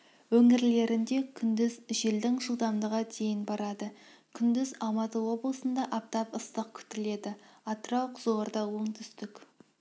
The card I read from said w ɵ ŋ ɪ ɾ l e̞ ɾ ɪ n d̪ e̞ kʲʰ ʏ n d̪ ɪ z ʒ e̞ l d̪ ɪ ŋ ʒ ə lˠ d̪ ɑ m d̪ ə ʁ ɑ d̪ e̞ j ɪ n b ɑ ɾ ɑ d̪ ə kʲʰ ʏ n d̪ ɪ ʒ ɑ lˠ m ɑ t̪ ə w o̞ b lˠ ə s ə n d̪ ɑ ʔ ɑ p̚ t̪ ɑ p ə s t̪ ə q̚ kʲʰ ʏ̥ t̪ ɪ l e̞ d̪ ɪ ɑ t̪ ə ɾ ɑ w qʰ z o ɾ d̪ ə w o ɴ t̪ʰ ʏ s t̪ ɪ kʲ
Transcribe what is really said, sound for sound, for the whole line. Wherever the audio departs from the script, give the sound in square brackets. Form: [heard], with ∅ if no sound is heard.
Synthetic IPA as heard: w ɵ ŋ ɪ ɾ l e̞ ɾ ɪ n d̪ e̞ kʲʰ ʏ n d̪ ɪ z ʒ e̞ l d̪ ɪ ŋ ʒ ə lˠ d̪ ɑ m d̪ ə ʁ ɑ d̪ e̞ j ɪ n b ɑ ɾ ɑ d̪ ə kʲʰ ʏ n d̪ ɪ [z] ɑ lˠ m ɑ t̪ ə w o̞ b lˠ ə s ə n d̪ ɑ ʔ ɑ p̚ t̪ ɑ p ə s t̪ ə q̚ kʲʰ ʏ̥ t̪ ɪ l e̞ d̪ ɪ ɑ t̪ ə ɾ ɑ w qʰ z o ɾ d̪ [ɑ] w o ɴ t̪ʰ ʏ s t̪ ɪ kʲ